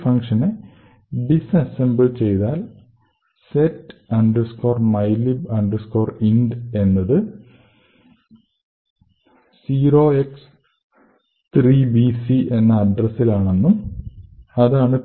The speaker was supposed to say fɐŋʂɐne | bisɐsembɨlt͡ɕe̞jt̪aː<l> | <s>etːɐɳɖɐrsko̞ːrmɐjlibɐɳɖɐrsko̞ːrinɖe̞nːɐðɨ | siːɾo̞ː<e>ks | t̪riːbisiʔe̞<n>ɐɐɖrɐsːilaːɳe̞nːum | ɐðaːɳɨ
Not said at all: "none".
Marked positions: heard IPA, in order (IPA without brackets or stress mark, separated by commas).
l, s, e, nː